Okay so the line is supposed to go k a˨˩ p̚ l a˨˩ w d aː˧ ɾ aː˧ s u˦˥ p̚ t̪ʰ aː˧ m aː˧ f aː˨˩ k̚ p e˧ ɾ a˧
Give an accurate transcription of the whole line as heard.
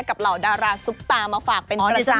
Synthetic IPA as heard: k a˨˩ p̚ l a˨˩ w d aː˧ ɾ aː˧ s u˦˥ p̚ t̪ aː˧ m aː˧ f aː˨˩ k̚ p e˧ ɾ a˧